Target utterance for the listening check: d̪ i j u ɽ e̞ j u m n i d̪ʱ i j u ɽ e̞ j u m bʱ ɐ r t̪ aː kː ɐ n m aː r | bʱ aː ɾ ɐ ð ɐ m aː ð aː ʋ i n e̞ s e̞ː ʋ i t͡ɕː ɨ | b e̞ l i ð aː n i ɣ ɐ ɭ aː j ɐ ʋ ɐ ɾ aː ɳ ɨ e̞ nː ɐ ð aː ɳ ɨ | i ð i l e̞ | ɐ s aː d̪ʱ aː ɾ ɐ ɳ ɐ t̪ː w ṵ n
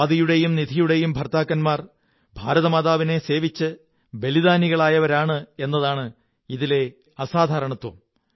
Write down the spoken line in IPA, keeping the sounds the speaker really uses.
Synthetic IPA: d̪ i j u ɽ e̞ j u m n i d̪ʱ i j u ɽ e̞ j u m bʱ ɐ r t̪ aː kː ɐ n m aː r | bʱ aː ɾ ɐ ð ɐ m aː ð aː ʋ i n e̞ s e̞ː ʋ i t͡ɕː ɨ | b e̞ l i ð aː n i ɣ ɐ ɭ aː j ɐ ʋ ɐ ɾ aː ɳ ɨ e̞ nː ɐ ð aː ɳ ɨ | i ð i l e̞ | ɐ s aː d̪ʱ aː ɾ ɐ ɳ ɐ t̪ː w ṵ m